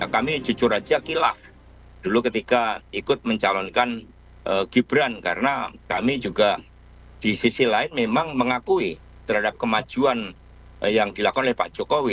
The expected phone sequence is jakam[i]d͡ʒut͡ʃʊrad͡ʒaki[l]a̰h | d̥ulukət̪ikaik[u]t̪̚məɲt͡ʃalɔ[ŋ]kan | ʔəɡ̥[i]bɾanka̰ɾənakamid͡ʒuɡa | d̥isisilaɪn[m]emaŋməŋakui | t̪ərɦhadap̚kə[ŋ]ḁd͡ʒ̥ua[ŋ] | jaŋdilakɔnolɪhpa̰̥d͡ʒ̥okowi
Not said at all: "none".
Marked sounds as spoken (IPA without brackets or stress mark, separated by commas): i, l, ʊ, n, i, m, m, n